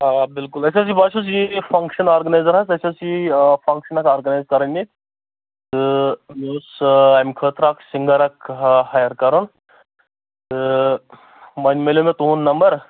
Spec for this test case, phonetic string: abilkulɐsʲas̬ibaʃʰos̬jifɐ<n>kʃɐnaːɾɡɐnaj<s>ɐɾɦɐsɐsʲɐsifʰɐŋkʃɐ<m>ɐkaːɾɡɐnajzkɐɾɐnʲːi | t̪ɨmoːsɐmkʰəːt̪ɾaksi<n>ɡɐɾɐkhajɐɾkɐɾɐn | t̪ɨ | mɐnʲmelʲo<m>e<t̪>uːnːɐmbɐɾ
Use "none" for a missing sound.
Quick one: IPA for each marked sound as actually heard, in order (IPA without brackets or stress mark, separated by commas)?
ŋ, z, n, ŋ, m, t̪